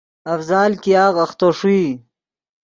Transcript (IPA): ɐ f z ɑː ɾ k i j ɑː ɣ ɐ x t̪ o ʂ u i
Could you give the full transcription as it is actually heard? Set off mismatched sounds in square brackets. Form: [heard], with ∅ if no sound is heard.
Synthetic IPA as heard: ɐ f z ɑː [l] k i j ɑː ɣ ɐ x t̪ o ʂ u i